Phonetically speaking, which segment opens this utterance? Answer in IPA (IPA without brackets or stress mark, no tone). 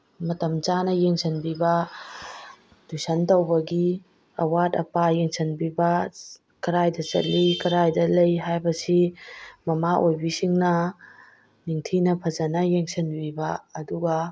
m